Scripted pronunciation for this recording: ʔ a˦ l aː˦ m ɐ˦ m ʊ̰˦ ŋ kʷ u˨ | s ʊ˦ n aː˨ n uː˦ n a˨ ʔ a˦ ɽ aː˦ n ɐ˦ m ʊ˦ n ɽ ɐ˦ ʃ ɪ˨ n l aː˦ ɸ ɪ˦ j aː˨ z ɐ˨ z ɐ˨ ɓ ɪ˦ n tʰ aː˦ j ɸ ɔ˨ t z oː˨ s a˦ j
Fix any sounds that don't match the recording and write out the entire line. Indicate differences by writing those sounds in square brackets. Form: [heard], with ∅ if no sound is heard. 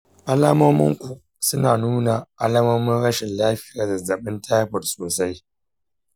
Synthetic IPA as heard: ʔ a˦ l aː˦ m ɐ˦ m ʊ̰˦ ŋ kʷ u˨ | s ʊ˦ n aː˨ n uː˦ n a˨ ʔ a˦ [l] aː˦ [m] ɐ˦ m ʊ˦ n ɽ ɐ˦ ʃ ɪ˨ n l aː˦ ɸ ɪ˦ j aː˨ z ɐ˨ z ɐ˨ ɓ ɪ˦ n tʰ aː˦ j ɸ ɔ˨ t [s] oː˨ s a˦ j